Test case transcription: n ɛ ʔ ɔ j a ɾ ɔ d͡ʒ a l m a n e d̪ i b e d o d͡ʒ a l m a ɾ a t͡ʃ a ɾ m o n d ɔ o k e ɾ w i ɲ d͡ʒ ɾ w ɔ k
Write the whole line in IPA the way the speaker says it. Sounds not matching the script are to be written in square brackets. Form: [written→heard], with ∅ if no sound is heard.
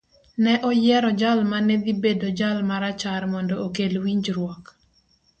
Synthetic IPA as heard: n ɛ ʔ ɔ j [a→ɛ] ɾ ɔ d͡ʒ a l m a n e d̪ i b e d o d͡ʒ a l m a ɾ a t͡ʃ a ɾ m [o→ɔ] n d ɔ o k e [ɾ→l] w i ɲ d͡ʒ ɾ w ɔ k